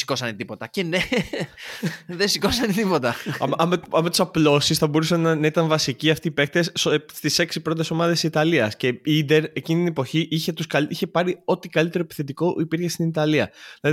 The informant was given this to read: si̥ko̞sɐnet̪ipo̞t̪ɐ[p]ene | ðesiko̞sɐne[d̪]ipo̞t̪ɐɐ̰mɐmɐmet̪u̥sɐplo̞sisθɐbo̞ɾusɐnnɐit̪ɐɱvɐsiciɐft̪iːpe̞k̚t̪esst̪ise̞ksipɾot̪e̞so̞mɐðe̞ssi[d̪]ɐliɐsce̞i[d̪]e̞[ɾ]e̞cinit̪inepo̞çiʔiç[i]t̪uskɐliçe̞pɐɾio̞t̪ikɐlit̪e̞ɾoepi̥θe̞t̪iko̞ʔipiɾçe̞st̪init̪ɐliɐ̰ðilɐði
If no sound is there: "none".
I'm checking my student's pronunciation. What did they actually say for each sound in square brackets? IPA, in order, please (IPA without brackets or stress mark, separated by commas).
c, t̪, t̪, d̪, ɾ, e